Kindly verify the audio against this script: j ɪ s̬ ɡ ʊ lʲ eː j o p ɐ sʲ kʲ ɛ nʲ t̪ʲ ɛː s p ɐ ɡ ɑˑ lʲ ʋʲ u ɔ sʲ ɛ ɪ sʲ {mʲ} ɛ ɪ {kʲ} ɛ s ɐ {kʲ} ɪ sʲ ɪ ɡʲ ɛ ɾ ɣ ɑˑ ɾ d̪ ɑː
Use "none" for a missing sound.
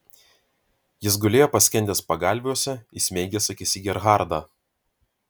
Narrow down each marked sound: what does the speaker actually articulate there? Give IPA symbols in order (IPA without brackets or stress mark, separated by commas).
mʲ, ɡʲ, kʲ